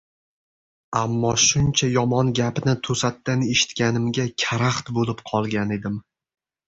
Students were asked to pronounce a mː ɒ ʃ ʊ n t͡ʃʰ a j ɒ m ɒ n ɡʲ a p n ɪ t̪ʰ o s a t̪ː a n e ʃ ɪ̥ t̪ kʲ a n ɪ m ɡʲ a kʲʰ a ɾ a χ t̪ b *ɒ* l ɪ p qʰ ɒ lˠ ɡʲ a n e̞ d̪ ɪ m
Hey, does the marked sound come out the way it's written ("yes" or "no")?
no